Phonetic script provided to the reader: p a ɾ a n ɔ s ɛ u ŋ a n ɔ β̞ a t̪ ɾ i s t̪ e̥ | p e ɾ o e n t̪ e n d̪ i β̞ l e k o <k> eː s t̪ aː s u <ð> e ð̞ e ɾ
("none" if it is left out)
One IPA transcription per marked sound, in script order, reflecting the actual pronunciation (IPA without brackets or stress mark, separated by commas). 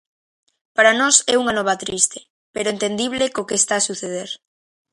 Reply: k, θ